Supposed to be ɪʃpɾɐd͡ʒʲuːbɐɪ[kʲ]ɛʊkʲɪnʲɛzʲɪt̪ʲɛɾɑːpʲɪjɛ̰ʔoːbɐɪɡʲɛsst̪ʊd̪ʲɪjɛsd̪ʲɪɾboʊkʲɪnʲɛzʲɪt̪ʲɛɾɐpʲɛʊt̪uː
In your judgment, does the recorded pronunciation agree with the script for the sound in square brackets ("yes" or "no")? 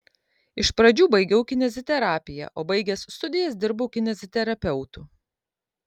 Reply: no